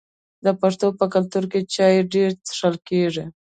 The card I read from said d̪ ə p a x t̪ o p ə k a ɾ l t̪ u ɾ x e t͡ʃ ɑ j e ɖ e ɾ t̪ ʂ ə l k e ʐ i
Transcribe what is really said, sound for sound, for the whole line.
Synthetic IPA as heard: d̪ ə p a ʂ t̪ o p ə k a l t̪ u ɾ k e t͡ʃ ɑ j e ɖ e ɾ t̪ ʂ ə l k e ʐ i